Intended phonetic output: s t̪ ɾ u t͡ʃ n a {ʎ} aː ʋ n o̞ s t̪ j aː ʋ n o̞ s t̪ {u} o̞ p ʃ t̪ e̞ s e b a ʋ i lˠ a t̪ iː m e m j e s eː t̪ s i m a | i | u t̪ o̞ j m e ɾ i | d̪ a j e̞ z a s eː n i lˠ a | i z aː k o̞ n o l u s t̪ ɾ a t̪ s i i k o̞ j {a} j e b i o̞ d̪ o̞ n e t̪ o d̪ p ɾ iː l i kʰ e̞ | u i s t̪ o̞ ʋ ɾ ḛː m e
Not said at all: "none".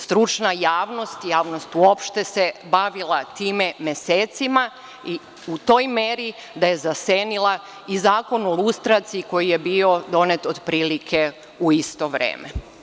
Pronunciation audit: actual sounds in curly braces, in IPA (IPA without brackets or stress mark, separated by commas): j, u, i